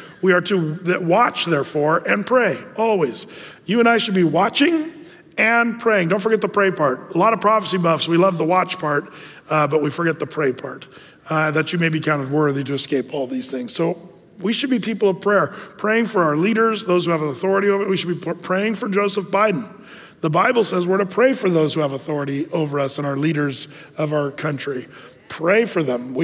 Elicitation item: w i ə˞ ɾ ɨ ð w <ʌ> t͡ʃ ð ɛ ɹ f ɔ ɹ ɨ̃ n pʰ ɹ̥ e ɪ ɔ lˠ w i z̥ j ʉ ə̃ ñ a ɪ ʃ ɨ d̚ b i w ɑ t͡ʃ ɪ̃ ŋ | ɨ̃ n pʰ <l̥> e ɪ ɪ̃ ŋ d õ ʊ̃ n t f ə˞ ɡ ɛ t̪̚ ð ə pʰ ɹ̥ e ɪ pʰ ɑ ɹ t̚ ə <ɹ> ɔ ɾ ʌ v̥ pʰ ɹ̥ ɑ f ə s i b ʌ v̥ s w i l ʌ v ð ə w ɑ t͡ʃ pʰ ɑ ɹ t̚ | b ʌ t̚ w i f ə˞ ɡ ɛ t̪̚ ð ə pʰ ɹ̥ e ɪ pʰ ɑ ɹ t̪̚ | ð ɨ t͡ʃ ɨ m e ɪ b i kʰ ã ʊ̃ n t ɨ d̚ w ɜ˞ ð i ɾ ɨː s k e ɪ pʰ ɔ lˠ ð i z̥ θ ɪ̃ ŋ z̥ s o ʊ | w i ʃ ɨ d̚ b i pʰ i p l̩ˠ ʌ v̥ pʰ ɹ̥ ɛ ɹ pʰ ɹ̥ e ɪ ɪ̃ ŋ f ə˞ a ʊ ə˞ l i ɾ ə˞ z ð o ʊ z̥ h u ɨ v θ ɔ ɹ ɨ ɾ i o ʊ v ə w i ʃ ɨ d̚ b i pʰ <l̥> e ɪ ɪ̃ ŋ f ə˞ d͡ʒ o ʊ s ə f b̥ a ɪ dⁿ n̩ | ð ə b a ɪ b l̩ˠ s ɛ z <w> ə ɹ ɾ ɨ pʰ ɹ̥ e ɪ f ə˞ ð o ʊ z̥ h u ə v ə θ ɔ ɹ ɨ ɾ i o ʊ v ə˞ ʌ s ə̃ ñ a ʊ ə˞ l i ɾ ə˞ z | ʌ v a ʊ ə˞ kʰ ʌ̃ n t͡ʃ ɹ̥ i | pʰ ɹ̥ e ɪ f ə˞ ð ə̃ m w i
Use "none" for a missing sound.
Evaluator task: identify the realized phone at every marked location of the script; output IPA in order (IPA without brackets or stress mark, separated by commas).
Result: ɑ, ɹ̥, l, ɹ̥, w